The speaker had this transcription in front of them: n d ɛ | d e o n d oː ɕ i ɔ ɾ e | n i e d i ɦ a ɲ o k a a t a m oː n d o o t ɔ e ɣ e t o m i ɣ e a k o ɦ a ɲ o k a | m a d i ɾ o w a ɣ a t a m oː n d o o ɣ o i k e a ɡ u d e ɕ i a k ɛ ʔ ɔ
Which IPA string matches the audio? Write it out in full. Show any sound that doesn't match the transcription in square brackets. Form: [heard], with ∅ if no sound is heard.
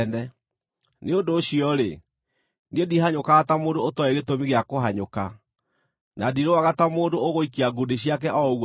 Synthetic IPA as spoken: n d ɛ | [n] e o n d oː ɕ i ɔ ɾ e | n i e d i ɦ a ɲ o k a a t a m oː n d o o t ɔ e ɣ e t o m i ɣ e a k o ɦ a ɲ o k a | [n] a d i ɾ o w a ɣ a t a m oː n d o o ɣ o i k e a ɡ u d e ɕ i a k ɛ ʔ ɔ